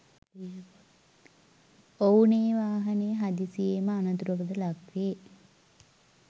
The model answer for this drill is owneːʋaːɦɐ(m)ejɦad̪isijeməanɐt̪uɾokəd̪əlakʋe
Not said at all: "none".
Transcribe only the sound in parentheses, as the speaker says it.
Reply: n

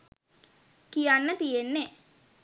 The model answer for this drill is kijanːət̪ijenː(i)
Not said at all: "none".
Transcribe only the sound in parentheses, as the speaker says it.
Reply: e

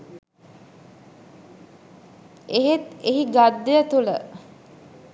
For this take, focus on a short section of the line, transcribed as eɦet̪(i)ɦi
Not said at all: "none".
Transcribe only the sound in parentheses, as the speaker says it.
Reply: e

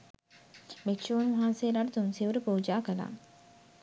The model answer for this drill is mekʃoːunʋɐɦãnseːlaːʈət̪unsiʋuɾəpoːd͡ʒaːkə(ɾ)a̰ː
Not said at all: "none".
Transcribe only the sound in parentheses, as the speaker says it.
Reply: l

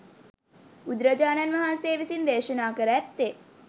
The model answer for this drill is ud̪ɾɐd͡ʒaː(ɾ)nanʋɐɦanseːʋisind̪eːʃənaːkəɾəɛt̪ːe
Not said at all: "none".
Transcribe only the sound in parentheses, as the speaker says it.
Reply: none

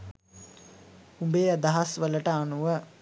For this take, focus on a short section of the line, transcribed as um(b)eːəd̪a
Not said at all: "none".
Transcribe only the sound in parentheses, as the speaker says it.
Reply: b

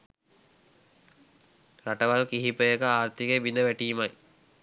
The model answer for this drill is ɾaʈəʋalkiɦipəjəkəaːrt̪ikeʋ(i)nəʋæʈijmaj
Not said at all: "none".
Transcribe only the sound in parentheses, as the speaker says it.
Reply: i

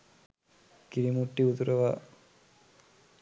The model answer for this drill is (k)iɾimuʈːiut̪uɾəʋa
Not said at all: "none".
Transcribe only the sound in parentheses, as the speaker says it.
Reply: k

